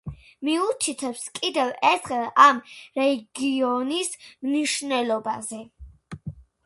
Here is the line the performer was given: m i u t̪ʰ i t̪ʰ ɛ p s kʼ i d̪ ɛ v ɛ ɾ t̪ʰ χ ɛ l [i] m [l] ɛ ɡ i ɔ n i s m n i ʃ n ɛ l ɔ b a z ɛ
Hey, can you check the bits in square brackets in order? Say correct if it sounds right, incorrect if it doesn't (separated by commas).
incorrect, incorrect